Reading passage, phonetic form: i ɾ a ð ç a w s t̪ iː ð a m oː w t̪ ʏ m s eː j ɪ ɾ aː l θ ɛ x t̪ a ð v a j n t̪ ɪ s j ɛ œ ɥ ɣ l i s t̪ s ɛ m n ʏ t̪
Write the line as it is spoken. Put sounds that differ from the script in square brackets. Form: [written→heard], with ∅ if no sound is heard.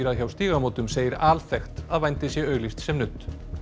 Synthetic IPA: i ɾ a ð ç a w s t̪ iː [ð→ɣ] a m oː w t̪ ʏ m s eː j ɪ ɾ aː l θ ɛ x t̪ a ð v a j n t̪ ɪ s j ɛ œ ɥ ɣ l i s t̪ s ɛ m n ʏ t̪